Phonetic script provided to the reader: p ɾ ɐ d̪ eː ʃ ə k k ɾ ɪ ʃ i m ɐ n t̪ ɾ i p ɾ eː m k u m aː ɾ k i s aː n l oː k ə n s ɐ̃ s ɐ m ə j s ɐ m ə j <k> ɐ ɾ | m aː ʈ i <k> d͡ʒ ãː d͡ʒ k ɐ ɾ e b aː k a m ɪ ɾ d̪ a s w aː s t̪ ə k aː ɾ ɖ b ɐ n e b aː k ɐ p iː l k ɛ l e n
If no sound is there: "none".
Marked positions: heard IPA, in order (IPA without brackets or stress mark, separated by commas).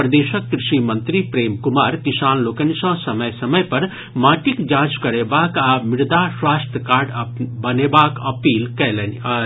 p, k